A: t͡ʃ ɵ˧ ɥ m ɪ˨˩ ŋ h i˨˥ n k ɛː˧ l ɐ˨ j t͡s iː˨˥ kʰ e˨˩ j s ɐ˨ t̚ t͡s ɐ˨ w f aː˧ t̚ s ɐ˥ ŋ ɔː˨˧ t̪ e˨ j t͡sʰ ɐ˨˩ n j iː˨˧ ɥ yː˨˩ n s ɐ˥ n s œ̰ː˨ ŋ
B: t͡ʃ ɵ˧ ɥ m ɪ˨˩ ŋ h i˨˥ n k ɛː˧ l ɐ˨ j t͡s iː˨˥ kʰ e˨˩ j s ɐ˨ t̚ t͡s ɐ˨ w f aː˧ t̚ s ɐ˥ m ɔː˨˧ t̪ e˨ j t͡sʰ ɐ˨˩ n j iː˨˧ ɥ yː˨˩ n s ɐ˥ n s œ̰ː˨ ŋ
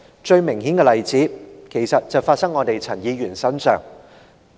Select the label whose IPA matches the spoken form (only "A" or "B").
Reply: A